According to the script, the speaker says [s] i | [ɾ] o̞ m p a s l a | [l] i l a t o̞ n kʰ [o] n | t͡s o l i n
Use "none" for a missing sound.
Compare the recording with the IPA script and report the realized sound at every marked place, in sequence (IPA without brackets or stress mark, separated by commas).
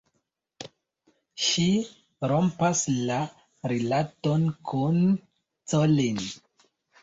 ʃ, ɾ, ɾ, u